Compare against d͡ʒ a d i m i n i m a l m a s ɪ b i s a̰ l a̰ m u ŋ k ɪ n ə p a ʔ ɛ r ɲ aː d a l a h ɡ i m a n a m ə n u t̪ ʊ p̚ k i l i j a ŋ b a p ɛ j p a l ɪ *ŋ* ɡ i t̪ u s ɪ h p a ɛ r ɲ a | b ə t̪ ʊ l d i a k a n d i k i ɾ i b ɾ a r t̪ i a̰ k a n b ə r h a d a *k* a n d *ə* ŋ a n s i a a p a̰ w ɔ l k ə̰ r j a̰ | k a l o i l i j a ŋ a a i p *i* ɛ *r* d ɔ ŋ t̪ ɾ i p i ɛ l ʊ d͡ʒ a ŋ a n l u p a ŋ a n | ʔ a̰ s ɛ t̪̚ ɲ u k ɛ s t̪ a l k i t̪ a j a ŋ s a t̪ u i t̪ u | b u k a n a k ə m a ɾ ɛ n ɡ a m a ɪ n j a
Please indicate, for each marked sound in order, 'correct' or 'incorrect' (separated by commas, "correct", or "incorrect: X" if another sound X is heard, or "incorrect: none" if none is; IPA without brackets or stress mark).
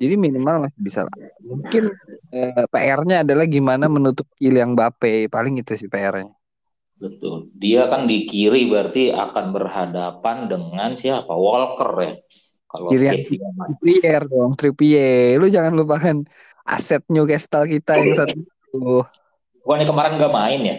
correct, incorrect: p, correct, correct, correct